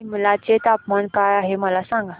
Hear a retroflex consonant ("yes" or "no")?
no